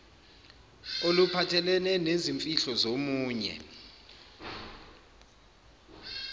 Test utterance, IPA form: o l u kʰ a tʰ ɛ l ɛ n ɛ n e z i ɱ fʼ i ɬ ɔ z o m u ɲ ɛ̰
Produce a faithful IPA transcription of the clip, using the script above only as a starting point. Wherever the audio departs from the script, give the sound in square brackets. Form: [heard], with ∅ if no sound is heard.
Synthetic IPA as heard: o l u [pʰ] a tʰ ɛ l ɛ n ɛ n e z i ɱ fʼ i ɬ ɔ z o m [uː] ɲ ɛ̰